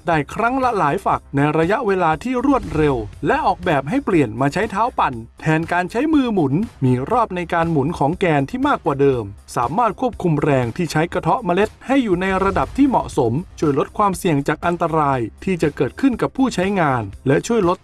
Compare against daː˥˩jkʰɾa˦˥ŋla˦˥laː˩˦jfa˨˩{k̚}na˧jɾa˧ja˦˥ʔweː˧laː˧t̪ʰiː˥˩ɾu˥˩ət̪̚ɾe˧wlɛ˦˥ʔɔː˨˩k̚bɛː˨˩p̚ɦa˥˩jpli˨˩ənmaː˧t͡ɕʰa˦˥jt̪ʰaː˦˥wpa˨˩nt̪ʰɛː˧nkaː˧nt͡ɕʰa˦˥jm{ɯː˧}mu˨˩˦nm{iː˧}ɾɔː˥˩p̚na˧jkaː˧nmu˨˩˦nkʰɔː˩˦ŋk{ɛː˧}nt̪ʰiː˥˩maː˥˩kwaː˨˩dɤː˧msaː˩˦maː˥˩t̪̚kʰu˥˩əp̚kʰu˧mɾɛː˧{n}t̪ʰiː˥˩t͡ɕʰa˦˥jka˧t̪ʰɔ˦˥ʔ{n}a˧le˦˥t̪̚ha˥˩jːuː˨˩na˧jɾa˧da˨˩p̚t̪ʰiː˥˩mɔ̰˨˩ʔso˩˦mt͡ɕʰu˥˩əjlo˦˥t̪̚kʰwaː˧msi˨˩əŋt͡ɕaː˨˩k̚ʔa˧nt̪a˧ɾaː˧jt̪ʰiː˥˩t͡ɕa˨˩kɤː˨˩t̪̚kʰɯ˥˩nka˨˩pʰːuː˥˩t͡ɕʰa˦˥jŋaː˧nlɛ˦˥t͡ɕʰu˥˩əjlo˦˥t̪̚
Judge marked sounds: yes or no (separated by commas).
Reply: yes, yes, yes, yes, no, no